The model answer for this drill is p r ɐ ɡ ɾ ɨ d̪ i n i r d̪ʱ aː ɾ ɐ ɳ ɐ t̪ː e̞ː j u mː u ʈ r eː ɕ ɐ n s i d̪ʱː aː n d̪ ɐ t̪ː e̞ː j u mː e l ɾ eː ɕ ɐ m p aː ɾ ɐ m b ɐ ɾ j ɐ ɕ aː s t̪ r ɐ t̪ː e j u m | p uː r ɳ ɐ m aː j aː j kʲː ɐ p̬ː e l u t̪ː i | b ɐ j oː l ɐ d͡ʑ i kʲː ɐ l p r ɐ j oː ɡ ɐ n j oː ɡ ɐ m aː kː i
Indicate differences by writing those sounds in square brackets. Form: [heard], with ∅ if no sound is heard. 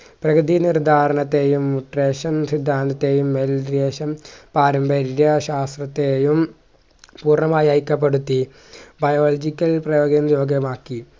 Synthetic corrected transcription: p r ɐ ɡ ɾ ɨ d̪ i n i r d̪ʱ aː ɾ ɐ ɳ ɐ t̪ː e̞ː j u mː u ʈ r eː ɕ ɐ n s i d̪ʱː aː n d̪ ɐ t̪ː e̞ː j u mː e l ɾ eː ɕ ɐ m p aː ɾ ɐ m b ɐ ɾ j ɐ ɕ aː s t̪ r ɐ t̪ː e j u m | p uː r ɳ ɐ m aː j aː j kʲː ɐ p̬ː e [ɽ] u t̪ː i | b ɐ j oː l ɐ d͡ʑ i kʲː ɐ l p r ɐ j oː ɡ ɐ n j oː ɡ ɐ m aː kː i